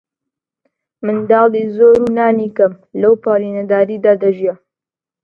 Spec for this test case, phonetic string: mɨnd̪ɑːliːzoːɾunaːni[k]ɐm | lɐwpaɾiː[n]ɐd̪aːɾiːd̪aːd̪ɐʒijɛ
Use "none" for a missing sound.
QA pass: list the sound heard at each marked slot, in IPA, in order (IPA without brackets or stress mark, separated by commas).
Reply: k, n